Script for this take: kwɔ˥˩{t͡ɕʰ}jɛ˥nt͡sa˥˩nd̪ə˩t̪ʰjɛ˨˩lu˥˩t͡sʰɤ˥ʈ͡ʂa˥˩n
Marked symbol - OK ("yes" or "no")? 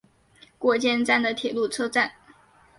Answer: no